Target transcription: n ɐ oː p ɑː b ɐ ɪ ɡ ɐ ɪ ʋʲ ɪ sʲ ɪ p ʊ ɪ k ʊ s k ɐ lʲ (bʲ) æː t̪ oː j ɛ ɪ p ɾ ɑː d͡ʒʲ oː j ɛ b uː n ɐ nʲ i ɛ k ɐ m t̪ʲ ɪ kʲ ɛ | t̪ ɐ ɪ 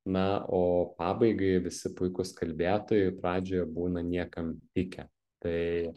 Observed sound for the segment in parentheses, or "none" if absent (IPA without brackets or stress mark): bʲ